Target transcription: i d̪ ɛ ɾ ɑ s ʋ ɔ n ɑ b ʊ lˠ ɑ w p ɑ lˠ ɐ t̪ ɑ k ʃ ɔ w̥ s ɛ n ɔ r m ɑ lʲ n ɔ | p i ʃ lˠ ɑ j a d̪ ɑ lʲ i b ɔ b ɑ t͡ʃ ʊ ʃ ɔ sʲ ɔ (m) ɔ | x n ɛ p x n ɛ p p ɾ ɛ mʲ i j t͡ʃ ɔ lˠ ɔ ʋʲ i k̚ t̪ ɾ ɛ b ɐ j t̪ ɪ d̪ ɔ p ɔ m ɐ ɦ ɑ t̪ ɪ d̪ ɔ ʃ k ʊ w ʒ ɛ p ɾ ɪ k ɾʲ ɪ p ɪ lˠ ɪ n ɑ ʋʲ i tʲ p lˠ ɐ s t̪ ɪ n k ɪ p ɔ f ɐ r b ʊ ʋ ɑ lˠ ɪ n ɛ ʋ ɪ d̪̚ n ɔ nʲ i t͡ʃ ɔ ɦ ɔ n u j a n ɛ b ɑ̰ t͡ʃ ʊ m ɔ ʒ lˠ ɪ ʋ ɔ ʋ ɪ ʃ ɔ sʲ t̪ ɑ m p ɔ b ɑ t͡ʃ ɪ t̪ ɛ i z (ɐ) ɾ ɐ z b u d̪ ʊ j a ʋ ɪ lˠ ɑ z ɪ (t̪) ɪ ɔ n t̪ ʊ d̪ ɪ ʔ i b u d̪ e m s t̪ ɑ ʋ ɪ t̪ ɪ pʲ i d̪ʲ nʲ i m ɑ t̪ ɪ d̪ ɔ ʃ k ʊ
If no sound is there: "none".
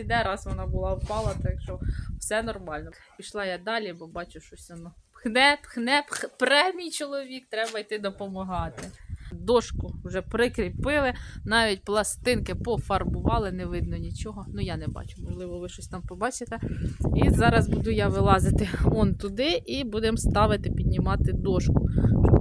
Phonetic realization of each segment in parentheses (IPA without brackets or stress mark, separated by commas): n, ɑ, t̪